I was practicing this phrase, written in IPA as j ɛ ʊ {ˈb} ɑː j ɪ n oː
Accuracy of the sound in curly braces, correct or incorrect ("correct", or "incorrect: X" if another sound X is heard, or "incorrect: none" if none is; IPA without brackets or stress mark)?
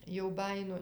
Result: correct